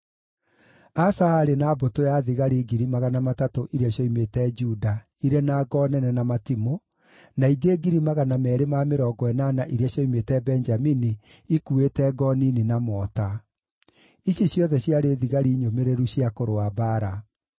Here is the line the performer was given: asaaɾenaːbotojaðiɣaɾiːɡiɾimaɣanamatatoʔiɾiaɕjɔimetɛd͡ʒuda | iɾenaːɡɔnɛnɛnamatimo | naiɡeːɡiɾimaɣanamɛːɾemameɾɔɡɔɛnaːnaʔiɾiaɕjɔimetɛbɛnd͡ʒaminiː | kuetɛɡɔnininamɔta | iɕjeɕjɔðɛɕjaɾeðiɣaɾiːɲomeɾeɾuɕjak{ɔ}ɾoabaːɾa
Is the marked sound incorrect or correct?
incorrect: o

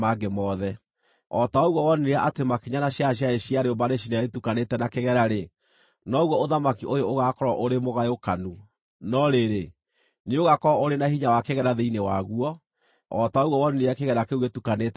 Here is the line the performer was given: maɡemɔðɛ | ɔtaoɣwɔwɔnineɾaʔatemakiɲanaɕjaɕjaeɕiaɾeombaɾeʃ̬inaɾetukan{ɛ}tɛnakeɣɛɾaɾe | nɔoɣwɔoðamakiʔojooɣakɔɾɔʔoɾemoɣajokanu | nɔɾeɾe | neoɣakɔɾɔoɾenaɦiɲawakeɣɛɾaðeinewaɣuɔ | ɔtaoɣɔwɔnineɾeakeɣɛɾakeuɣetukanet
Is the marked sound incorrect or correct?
incorrect: e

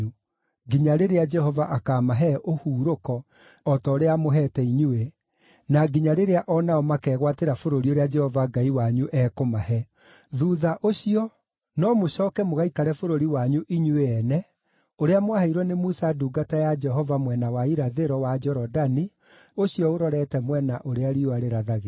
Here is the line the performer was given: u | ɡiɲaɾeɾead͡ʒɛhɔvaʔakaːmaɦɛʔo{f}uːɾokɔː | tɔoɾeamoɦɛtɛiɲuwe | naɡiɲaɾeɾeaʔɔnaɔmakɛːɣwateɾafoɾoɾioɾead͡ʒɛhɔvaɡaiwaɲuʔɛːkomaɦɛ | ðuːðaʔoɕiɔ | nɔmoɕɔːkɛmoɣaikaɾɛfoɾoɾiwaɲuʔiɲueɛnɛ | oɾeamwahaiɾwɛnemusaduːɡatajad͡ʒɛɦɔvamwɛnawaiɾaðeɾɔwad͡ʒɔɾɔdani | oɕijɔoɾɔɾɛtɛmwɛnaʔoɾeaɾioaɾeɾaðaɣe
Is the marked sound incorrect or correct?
incorrect: h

